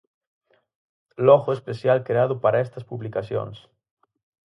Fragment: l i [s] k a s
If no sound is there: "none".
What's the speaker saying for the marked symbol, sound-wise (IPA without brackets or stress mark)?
none